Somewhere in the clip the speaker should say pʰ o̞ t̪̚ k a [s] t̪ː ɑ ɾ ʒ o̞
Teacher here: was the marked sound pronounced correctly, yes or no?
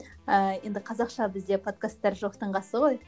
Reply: yes